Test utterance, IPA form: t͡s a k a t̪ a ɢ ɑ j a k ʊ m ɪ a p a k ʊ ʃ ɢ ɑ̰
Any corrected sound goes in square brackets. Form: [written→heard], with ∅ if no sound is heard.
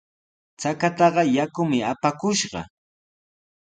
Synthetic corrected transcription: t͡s a k a t̪ [a→ɑ] ɢ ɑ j a k ʊ m ɪ a p a k ʊ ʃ ɢ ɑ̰